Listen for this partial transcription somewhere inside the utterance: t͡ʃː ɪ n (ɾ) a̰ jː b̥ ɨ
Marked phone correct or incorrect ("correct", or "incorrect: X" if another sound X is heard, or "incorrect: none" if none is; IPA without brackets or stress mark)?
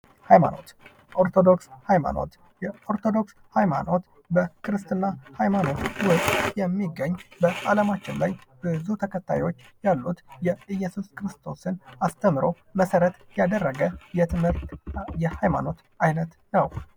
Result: incorrect: l